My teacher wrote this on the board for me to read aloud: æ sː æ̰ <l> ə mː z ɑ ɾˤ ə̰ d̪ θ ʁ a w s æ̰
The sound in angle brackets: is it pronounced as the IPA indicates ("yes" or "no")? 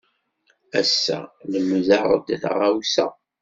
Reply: yes